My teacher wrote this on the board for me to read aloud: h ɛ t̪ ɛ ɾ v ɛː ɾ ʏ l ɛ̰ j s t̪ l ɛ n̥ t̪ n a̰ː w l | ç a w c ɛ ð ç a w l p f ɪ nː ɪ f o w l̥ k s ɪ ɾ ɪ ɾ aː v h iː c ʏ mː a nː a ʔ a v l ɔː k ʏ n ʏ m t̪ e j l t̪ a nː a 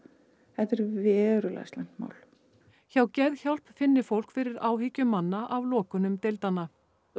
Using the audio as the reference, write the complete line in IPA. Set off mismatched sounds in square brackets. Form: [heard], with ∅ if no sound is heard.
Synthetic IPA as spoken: h ɛ t̪ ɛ ɾ v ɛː ɾ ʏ l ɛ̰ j s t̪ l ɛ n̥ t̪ [m] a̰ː w l | ç a w c ɛ ð ç a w l p f ɪ nː ɪ f o w l̥ k [f] ɪ ɾ ɪ ɾ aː [w] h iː c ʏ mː a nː a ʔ a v l ɔː k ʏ n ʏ m t̪ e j l t̪ a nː a